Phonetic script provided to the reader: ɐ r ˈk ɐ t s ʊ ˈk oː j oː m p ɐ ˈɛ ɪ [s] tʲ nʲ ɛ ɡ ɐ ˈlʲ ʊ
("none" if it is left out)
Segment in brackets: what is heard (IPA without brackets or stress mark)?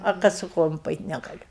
none